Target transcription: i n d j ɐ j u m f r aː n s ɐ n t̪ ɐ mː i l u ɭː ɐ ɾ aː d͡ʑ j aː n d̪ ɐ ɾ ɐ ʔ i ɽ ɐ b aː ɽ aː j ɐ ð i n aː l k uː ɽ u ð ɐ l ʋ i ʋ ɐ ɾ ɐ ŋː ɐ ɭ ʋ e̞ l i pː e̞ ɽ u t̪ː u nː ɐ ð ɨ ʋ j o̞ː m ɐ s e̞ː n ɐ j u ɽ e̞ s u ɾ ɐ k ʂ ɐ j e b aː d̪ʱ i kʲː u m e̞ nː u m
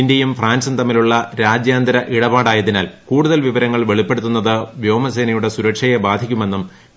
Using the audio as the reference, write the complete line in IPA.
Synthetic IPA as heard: i n d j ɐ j u m f r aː n s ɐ n t̪ ɐ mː i l u ɭː ɐ ɾ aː d͡ʑ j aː n d̪ ɐ ɾ ɐ ʔ i ɽ ɐ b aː ɽ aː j ɐ ð i n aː l k uː ɽ u ð ɐ l ʋ i ʋ ɐ ɾ ɐ ŋː ɐ ɭ ʋ e̞ ɭ i pː e̞ ɽ u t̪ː u nː ɐ ð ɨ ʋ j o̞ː m ɐ s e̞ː n ɐ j u ɽ e̞ s u ɾ ɐ k ʂ ɐ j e b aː d̪ʱ i kʲː u m e̞ nː u m